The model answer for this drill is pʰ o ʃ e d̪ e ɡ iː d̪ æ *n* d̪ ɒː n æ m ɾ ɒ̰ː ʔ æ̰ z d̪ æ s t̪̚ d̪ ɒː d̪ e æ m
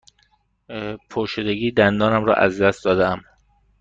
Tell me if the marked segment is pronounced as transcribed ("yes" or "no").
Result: yes